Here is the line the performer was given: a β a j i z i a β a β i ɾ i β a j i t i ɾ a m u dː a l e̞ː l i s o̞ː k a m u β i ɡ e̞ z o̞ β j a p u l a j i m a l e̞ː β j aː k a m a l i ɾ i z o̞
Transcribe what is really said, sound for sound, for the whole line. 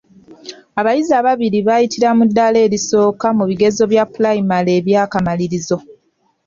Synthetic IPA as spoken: a β a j i z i a β a β i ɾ i β a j i t i ɾ a m u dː a l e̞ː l i s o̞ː k a m u β i ɡ e̞ z o̞ β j a p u l a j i m a l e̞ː β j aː k a m a l i ɾ i z o̞